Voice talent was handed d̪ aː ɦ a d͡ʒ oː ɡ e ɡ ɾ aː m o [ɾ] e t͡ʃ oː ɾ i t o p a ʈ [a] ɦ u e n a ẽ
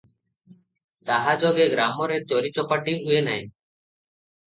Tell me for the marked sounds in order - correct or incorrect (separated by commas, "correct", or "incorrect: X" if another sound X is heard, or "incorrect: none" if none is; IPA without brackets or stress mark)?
correct, incorrect: i